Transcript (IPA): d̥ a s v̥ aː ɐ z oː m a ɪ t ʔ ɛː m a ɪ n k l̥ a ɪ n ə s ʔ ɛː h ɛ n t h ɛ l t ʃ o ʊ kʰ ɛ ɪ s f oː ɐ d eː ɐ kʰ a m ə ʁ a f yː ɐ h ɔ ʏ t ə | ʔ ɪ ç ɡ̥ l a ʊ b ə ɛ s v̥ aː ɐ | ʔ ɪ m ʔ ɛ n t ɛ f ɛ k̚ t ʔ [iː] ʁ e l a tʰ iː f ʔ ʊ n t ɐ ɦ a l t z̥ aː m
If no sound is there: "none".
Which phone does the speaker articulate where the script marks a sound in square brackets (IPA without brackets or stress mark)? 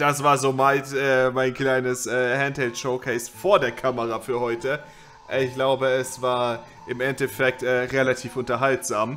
ɛː